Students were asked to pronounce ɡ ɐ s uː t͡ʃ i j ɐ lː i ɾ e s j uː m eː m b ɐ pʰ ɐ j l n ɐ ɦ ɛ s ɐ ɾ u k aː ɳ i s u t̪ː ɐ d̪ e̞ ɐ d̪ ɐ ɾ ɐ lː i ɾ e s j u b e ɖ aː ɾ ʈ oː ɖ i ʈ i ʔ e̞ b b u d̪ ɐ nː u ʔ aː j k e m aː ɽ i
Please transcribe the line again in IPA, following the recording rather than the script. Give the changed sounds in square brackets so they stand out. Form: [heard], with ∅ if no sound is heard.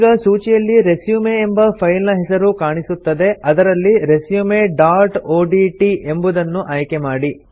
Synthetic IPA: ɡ ɐ s uː t͡ʃ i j ɐ lː i ɾ e s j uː m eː m b ɐ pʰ ɐ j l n ɐ ɦ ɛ s ɐ ɾ u k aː ɳ i s u t̪ː ɐ d̪ e̞ ɐ d̪ ɐ ɾ ɐ lː i ɾ e s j u [m] e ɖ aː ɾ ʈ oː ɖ i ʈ i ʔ e̞ [m] b u d̪ ɐ nː u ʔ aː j k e m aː ɽ i